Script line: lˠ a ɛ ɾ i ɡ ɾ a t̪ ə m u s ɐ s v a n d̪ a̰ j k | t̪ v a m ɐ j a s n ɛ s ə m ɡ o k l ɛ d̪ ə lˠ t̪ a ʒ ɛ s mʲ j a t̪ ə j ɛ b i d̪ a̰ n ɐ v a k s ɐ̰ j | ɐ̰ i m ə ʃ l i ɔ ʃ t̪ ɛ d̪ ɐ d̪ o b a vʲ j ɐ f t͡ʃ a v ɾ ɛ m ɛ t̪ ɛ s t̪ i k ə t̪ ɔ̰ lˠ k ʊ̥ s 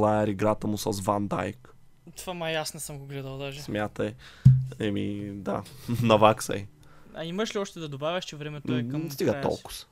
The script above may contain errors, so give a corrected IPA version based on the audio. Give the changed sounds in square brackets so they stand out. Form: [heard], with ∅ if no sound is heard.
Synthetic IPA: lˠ a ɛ ɾ i ɡ ɾ a t̪ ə m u s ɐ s v a n d̪ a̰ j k | t̪ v a m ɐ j a s n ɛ s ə m ɡ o [ɡ] l ɛ d̪ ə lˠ [d̪] a ʒ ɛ s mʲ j a t̪ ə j ɛ [m] i d̪ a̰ n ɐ v a k s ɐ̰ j | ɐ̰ i m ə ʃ l i ɔ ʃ t̪ ɛ d̪ ɐ d̪ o b a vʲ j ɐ [ʃ] t͡ʃ [ɛ] v ɾ ɛ m ɛ t̪ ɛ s t̪ i [ɡ] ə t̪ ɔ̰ lˠ k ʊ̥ s